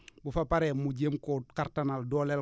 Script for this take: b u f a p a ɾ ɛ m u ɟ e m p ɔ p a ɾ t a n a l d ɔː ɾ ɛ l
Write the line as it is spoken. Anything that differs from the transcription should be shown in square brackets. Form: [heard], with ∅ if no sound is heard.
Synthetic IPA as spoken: b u f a p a ɾ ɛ m u ɟ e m [k] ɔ [k] a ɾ t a n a l d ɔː [l] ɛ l